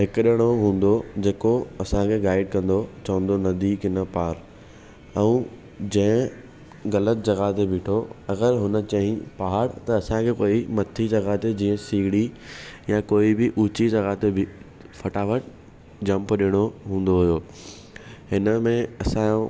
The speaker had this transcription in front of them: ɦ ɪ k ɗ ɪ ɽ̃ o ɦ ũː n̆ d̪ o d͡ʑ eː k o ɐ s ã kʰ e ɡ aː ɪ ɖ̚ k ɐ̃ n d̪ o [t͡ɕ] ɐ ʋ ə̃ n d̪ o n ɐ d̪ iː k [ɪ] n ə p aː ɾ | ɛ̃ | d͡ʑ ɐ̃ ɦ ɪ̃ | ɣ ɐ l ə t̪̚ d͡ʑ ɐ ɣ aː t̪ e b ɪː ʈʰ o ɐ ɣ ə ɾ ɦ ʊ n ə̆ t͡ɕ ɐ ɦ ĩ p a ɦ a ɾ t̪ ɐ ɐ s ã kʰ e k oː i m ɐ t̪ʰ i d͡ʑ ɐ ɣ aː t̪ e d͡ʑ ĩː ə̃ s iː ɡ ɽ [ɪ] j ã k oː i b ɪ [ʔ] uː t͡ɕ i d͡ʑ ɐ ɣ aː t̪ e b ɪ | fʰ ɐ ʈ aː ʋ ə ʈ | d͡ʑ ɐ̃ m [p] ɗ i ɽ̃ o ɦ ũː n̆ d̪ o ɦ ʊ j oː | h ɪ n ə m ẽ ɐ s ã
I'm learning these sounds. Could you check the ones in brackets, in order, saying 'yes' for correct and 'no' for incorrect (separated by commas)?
yes, yes, no, yes, yes